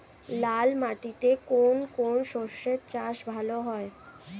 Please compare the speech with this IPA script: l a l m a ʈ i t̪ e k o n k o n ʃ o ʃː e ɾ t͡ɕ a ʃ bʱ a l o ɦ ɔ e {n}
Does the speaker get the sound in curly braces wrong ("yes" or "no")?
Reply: yes